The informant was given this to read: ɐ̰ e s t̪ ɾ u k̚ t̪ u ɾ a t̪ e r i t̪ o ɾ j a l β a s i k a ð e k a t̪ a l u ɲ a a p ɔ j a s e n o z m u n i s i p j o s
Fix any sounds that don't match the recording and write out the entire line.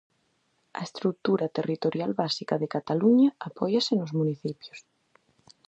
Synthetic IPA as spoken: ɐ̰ e s t̪ ɾ u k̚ t̪ u ɾ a t̪ e r i t̪ o ɾ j a l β a s i k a ð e k a t̪ a l u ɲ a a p ɔ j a s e n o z m u n i θ i p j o s